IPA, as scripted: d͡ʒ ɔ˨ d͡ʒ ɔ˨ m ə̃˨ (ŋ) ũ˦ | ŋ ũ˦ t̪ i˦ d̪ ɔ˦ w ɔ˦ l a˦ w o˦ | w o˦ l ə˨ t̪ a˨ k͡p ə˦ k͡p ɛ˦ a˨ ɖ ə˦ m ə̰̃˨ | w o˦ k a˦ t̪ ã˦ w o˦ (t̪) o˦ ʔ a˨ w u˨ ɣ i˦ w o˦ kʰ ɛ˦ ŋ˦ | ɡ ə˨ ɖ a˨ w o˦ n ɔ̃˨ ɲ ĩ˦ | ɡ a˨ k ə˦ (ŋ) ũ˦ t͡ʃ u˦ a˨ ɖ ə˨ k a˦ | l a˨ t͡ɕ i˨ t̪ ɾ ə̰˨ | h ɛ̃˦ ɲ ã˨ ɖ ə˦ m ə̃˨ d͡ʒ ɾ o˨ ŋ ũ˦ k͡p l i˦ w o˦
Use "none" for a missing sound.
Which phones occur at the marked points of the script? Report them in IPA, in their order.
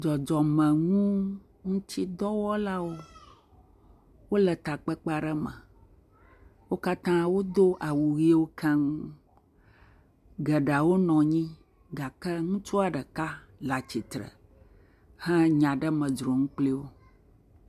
ŋ, d̪, ŋ

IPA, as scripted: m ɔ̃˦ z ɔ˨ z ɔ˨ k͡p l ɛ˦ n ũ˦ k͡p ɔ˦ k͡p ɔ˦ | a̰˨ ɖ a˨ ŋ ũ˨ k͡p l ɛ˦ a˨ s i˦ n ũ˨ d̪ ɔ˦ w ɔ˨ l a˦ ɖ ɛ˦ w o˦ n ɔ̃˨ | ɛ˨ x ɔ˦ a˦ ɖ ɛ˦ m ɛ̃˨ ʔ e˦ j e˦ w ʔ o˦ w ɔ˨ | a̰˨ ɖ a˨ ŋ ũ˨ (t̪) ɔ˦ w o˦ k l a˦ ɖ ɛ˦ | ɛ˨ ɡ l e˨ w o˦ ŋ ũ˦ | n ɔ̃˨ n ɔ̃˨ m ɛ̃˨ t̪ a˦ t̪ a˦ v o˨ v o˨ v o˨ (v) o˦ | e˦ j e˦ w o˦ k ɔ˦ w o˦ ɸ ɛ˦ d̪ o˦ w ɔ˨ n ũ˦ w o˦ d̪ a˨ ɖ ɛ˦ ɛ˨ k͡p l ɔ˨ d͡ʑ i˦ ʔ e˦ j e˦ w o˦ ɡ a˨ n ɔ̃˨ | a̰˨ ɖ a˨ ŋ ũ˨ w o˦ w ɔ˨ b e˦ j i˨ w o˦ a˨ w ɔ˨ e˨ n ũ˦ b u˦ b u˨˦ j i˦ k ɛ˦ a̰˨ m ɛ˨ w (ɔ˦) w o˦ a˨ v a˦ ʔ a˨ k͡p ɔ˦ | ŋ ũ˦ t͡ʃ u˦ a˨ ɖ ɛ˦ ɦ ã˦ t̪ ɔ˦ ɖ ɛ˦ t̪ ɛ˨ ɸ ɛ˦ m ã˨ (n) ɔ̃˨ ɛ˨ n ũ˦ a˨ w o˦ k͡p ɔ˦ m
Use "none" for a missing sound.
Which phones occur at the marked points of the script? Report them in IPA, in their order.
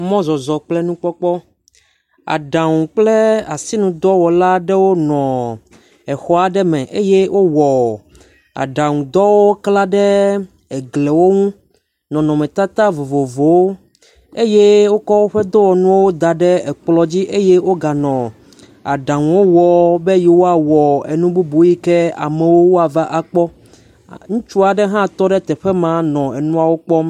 d̪, w, o˦, n

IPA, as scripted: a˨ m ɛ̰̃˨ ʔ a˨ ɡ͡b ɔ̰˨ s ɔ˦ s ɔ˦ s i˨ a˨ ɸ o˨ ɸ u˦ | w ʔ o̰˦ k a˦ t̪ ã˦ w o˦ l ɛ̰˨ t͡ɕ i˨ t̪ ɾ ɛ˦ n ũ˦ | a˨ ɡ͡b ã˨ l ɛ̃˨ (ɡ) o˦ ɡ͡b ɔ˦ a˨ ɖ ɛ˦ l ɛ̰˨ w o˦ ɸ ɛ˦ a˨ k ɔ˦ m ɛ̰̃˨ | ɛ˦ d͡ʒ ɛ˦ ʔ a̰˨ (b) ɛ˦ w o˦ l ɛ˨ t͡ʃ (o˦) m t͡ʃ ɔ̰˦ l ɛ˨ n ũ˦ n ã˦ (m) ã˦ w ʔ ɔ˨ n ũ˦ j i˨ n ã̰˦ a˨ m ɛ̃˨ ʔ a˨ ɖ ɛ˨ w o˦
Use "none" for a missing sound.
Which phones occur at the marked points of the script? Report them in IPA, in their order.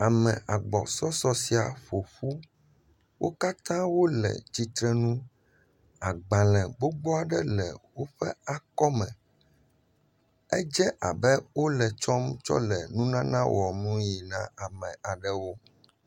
ɡ͡b, b, ɔ˦, n

